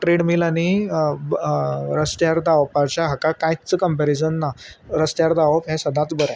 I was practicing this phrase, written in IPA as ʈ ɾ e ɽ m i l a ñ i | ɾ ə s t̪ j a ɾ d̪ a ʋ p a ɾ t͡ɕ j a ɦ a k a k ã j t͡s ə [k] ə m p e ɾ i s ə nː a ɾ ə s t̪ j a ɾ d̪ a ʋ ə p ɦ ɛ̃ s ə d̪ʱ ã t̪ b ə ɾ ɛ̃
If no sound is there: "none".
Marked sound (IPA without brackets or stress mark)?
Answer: k